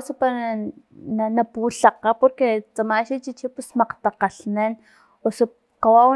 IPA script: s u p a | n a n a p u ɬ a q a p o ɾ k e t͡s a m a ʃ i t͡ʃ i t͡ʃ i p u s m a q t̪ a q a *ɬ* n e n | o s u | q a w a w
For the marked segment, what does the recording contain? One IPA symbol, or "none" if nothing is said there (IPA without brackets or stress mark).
ɬ